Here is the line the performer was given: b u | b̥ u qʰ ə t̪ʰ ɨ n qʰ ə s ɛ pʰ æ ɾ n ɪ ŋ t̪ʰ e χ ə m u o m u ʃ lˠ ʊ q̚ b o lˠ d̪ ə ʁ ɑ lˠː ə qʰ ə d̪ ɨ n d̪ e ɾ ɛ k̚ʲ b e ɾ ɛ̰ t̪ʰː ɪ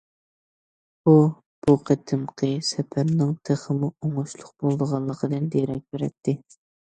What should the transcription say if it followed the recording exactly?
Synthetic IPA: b u | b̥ u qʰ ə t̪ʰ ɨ m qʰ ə s ɛ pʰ æ ɾ n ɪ ŋ t̪ʰ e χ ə m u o ŋ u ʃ lˠ ʊ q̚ b o lˠ d̪ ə ʁ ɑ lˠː ə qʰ ə d̪ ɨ n d̪ e ɾ ɛ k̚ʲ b e ɾ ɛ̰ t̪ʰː ɪ